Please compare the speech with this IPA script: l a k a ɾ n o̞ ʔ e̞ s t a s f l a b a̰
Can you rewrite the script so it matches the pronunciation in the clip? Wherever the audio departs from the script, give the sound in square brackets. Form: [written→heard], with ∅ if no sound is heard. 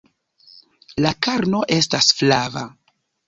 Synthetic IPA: l a k a ɾ n o̞ ʔ e̞ s t a s f l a [b→v] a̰